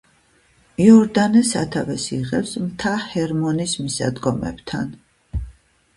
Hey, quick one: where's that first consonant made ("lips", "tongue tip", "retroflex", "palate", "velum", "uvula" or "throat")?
tongue tip